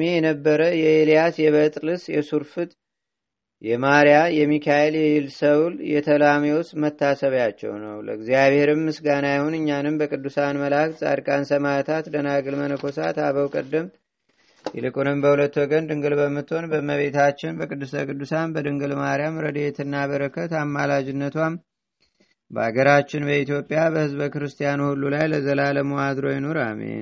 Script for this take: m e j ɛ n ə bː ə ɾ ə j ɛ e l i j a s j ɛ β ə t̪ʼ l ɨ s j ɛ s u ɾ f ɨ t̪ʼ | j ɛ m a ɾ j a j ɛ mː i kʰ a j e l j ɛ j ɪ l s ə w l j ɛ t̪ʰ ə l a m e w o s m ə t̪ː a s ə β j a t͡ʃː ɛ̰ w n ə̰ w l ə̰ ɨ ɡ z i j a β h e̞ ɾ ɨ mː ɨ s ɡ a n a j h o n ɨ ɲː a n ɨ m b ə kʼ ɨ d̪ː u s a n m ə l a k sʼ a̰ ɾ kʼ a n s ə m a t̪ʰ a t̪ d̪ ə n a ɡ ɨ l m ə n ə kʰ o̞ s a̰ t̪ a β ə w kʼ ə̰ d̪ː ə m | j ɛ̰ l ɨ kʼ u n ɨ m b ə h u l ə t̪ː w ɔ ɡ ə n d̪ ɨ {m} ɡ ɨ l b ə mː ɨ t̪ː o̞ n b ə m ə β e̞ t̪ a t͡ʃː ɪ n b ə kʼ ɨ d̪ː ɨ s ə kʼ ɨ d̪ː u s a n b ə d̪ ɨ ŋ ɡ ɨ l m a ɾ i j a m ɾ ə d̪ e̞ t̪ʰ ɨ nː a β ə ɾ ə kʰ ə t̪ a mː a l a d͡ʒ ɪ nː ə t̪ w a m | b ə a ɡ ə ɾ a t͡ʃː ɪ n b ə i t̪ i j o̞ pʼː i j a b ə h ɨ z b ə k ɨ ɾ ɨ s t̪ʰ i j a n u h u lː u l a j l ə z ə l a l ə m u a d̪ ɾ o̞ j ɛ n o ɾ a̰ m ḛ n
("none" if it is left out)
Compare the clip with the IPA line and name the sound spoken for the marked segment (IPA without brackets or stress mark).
ŋ